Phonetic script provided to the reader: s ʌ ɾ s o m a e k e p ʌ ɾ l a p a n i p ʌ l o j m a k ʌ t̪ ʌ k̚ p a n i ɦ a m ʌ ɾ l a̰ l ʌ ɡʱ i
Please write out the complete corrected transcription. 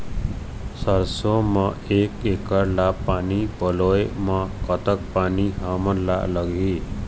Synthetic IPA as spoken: s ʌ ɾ s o m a e k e k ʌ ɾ l a p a n i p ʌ l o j m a k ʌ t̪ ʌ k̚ p a n i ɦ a m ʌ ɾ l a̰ l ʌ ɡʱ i

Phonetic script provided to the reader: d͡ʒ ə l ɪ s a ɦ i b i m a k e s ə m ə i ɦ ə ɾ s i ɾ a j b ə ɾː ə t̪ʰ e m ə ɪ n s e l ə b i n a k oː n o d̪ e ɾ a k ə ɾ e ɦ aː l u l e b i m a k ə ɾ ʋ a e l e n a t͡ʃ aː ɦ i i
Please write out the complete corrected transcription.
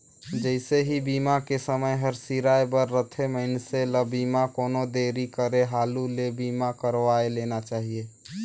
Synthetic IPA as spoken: d͡ʒ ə ɪ s e ɦ i b i m a k e s ə m ə j ɦ ə ɾ s i ɾ a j b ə ɾː ə t̪ʰ e m ə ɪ n s e l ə b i m a k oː n o d̪ e ɾ i k ə ɾ e ɦ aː l u l e b i m a k ə ɾ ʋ a e l e n a t͡ʃ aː ɦ i e

